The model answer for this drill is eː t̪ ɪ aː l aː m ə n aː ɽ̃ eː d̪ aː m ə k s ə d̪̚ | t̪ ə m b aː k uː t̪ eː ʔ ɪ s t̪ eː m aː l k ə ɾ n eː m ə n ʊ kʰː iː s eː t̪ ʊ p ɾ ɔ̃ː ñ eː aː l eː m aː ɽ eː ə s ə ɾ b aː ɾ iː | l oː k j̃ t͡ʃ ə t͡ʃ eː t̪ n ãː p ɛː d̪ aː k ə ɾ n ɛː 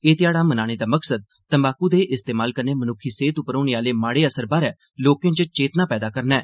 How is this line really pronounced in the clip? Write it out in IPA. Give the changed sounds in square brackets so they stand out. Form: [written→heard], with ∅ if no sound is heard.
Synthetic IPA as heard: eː t̪ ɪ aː [l→ɽ] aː m ə n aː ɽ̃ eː d̪ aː m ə k s ə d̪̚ | t̪ ə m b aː k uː [t̪→d̪] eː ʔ ɪ s t̪ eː m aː l k ə ɾ n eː m ə n ʊ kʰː iː s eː t̪ ʊ p ɾ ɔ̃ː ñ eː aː l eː m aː ɽ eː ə s ə ɾ b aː ɾ [iː→ɛː] | l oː k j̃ t͡ʃ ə t͡ʃ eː t̪ n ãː p ɛː d̪ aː k ə ɾ n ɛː